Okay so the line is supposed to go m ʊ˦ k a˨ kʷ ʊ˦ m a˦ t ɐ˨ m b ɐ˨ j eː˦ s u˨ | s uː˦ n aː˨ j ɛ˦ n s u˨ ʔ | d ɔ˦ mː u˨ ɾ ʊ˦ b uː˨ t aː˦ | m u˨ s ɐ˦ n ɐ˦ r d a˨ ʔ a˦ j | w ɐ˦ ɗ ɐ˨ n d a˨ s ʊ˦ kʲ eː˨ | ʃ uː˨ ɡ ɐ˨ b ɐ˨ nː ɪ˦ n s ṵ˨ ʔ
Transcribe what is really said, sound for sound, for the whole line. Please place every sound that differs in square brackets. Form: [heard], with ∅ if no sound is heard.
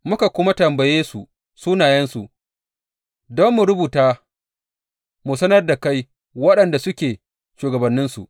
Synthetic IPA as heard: m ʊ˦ k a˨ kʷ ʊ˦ m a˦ t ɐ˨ m b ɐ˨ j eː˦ s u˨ | s uː˦ n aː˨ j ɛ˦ n s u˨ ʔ | d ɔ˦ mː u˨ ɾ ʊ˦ b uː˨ t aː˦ | m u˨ s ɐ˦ n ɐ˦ r d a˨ [k] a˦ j | w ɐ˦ ɗ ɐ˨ n d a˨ s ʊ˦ kʲ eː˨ | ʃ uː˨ ɡ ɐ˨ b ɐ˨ nː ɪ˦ n s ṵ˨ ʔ